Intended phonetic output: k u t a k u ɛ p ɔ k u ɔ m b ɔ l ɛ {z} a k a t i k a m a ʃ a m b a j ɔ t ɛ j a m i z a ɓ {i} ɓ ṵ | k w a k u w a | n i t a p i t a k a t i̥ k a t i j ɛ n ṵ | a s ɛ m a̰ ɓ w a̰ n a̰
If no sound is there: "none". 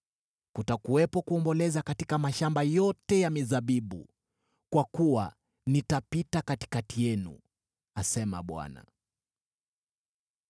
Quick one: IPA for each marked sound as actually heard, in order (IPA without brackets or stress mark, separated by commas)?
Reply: z, i